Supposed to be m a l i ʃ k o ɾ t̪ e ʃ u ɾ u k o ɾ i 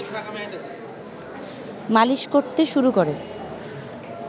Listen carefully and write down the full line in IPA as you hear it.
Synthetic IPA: m a l i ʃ k o ɾ t̪ e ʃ u ɾ u k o ɾ e

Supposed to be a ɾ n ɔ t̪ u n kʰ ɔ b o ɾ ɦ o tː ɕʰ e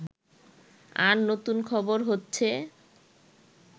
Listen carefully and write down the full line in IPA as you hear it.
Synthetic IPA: a ɾ n o t̪ u n kʰ ɔ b o ɾ ɦ o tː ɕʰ e

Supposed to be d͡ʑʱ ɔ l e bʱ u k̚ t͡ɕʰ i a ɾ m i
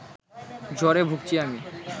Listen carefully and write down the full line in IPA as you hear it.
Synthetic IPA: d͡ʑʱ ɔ ɾ e bʱ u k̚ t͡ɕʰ i a m i

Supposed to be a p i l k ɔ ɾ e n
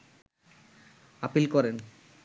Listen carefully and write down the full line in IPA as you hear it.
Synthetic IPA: a p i l k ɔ ɾ e n

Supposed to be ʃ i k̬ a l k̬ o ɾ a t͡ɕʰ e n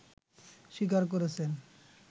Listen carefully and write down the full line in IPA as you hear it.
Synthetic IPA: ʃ i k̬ a ɾ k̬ o ɾ e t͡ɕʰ e n

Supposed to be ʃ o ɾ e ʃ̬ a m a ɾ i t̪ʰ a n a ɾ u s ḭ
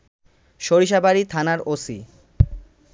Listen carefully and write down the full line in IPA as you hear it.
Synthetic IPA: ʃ o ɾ i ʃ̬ a b a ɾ i t̪ʰ a n a ɾ o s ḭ

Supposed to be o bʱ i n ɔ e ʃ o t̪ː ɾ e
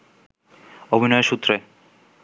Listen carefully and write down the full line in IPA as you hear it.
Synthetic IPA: o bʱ i n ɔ e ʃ u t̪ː ɾ e

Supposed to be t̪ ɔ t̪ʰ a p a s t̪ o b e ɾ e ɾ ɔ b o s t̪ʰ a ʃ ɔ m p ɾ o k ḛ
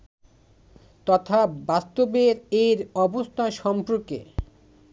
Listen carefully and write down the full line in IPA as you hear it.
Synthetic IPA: t̪ ɔ t̪ʰ a b a s t̪ o b e ɾ e ɾ ɔ b o s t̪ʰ a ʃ ɔ m p ɾ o k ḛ

